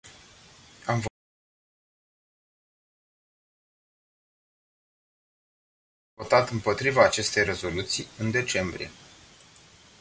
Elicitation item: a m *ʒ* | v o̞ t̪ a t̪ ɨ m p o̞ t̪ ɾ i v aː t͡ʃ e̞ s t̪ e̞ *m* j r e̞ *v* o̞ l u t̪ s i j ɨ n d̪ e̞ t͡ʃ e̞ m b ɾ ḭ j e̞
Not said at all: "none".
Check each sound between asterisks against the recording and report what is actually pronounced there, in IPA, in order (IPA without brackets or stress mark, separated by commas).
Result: v, none, z